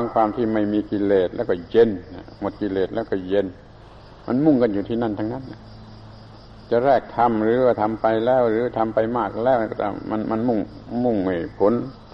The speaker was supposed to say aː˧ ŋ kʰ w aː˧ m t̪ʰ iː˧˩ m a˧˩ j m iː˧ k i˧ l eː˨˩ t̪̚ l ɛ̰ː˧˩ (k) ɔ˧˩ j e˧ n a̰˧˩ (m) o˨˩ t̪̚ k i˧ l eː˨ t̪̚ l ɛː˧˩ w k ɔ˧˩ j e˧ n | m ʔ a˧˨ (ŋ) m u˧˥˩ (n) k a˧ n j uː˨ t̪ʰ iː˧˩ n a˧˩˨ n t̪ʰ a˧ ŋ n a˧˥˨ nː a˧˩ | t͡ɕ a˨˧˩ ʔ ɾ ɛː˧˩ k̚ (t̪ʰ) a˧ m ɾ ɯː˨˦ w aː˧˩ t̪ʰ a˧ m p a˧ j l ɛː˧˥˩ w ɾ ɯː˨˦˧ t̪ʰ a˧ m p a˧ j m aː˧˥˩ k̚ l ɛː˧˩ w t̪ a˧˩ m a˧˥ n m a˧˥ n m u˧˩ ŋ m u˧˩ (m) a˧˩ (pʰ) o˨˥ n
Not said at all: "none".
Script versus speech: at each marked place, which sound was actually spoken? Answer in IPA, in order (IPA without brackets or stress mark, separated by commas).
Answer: k, m, n, ŋ, t̪ʰ, ŋ, pʰ